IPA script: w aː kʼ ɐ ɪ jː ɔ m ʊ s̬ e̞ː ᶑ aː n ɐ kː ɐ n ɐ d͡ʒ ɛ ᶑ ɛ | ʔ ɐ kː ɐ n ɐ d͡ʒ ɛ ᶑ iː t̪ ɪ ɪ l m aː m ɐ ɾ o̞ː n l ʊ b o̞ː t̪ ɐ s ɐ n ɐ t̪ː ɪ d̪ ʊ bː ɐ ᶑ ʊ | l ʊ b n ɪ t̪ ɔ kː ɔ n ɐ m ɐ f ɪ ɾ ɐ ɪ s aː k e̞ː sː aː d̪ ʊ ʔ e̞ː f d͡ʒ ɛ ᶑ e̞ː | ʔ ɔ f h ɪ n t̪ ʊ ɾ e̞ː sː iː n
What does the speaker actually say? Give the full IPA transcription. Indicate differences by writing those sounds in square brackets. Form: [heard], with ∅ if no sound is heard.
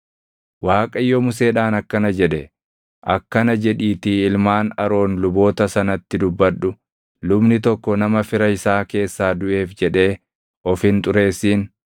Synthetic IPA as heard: w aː kʼ ɐ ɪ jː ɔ m ʊ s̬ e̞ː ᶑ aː n ɐ kː ɐ n ɐ d͡ʒ ɛ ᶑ ɛ | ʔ ɐ kː ɐ n ɐ d͡ʒ ɛ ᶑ iː t̪ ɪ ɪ l m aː [n] ɐ ɾ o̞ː n l ʊ b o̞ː t̪ ɐ s ɐ n ɐ t̪ː ɪ d̪ ʊ bː ɐ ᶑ ʊ | l ʊ b n ɪ t̪ ɔ kː ɔ n ɐ m ɐ f ɪ ɾ ɐ ɪ s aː k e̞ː sː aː d̪ ʊ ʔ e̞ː f d͡ʒ ɛ ᶑ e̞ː | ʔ ɔ f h ɪ n [t̪ʼ] ʊ ɾ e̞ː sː iː n